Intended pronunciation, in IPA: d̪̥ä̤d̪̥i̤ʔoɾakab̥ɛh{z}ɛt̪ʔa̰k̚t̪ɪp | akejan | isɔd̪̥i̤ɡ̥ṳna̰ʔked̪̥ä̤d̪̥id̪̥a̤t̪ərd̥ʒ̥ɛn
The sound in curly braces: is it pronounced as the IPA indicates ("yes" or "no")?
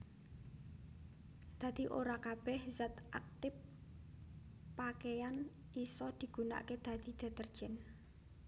yes